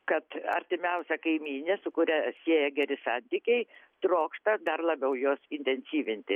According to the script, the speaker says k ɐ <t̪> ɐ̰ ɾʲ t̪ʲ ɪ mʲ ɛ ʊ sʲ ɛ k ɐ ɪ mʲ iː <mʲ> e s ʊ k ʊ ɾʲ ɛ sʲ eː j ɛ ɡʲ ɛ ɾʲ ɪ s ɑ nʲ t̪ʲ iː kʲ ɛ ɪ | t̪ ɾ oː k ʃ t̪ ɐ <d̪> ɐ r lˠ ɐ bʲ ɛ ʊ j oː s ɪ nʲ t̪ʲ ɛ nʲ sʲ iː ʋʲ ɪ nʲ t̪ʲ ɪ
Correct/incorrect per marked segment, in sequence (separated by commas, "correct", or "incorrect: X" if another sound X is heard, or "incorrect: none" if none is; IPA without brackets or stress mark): correct, incorrect: nʲ, correct